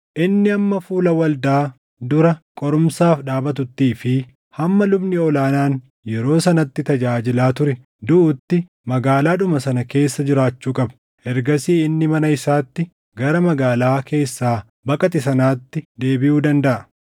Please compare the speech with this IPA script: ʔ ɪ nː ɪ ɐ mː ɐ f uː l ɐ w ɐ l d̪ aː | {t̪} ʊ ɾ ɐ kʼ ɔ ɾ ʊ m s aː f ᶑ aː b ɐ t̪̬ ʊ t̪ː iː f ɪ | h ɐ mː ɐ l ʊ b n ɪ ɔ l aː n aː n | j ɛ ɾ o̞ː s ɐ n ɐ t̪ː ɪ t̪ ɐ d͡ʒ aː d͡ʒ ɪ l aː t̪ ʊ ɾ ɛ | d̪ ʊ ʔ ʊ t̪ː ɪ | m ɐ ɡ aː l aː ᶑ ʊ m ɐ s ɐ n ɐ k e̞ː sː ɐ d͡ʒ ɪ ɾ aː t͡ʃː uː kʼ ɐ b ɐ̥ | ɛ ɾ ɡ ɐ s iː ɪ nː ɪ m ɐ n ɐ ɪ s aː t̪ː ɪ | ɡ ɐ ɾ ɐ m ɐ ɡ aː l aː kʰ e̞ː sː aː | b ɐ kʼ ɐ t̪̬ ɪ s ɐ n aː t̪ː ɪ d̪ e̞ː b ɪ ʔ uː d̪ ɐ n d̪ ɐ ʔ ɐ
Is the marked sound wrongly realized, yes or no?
yes